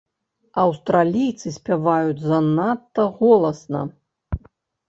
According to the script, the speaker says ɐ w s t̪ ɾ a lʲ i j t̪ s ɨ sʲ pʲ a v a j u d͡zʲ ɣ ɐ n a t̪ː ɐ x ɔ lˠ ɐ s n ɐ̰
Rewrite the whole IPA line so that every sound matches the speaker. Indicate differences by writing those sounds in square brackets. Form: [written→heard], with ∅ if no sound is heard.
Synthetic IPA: ɐ w s t̪ ɾ a lʲ i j t̪ s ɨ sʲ pʲ a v a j u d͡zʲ [ɣ→z] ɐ n a t̪ː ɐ [x→ɣ] ɔ lˠ ɐ s n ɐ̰